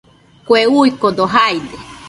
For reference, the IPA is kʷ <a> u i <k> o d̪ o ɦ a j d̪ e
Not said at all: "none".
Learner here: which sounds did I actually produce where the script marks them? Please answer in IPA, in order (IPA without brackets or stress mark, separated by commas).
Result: e, k